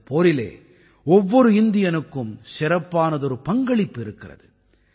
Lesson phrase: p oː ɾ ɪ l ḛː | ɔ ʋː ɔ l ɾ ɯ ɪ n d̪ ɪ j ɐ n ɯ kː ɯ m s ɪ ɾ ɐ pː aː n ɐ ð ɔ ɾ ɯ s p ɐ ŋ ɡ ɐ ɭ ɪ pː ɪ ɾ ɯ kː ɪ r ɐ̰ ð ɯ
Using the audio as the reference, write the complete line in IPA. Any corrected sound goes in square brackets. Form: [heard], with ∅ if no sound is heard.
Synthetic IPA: p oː ɾ ɪ l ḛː | ɔ ʋː ɔ [∅] ɾ ɯ ɪ n d̪ ɪ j ɐ n ɯ kː ɯ m s ɪ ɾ ɐ pː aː n ɐ ð ɔ ɾ ɯ [∅] p ɐ ŋ ɡ ɐ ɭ ɪ pː ɪ ɾ ɯ kː ɪ r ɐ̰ ð ɯ

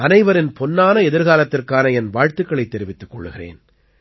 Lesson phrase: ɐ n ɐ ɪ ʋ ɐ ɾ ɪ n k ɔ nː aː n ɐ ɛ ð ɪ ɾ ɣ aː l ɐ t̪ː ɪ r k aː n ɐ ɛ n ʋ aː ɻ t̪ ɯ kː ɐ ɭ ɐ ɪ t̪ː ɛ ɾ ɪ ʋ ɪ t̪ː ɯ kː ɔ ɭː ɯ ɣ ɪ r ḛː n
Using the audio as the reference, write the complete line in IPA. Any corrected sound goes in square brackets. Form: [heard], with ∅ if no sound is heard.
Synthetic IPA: ɐ n ɐ ɪ ʋ ɐ ɾ ɪ n [p] ɔ nː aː n ɐ ɛ ð ɪ ɾ ɣ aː l ɐ t̪ː ɪ r k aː n ɐ ɛ n ʋ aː ɻ t̪ ɯ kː ɐ ɭ ɐ ɪ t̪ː ɛ ɾ ɪ ʋ ɪ t̪ː ɯ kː ɔ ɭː ɯ ɣ ɪ r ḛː n

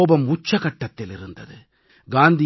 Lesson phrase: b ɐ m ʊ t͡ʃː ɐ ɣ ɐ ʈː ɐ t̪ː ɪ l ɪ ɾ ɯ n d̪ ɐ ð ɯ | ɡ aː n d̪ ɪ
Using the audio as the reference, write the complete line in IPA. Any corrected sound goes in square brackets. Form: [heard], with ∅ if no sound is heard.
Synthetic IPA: b ɐ m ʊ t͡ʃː ɐ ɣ ɐ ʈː ɐ t̪ː ɪ l ɪ ɾ ɯ n d̪ ɐ ð ɯ | ɡ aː n d̪ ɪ

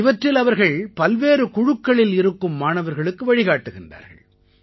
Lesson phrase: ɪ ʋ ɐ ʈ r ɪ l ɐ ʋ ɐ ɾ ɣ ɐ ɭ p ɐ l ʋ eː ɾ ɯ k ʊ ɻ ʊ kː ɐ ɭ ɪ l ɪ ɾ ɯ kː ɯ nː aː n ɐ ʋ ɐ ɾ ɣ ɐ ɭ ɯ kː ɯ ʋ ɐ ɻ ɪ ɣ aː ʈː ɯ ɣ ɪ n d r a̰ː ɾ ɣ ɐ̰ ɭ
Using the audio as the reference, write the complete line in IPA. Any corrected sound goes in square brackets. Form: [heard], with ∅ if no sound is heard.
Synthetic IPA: ɪ ʋ ɐ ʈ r ɪ l ɐ ʋ ɐ ɾ ɣ ɐ ɭ p ɐ l ʋ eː ɾ ɯ k ʊ ɻ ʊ kː ɐ ɭ ɪ l ɪ ɾ ɯ kː ɯ [mː] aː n ɐ ʋ ɐ ɾ ɣ ɐ ɭ ɯ kː ɯ ʋ ɐ ɻ ɪ ɣ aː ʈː ɯ ɣ ɪ n d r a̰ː ɾ ɣ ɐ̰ ɭ

